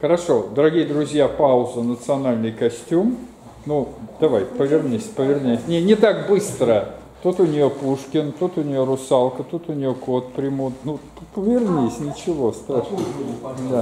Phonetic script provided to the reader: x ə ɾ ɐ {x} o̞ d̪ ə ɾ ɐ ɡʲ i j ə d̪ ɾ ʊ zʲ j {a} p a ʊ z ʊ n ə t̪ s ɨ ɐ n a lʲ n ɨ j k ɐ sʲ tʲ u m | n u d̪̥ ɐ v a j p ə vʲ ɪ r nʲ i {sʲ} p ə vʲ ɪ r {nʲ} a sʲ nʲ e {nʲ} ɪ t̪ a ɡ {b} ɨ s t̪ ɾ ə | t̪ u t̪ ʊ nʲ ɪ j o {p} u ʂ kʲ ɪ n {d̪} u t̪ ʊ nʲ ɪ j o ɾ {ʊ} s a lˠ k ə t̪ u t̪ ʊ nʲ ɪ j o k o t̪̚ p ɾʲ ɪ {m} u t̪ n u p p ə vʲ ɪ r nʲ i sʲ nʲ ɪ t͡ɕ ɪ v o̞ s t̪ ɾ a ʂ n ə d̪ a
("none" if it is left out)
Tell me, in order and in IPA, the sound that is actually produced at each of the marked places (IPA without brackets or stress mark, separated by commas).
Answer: ʂ, a, sʲ, nʲ, nʲ, b, p, t̪, ʊ, m